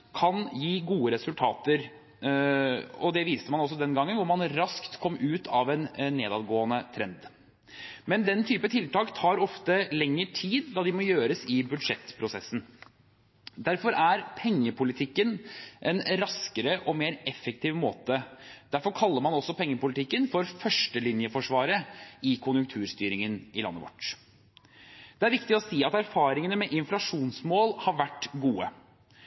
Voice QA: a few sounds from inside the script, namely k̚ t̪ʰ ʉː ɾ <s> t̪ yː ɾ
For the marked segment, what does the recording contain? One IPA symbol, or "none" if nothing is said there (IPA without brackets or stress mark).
s